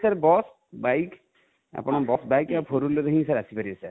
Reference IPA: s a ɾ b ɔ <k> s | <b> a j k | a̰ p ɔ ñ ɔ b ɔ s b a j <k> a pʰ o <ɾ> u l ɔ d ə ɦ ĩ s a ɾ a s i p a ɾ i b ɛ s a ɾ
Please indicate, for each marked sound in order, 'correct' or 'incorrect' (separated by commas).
incorrect, correct, correct, correct